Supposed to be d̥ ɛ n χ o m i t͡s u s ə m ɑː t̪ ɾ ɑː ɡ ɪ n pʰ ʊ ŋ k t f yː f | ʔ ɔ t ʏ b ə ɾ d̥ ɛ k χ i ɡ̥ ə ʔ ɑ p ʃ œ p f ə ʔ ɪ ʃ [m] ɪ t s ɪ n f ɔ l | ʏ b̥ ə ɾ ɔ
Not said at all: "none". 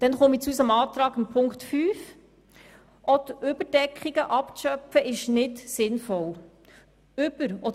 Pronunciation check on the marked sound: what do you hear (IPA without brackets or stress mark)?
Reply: n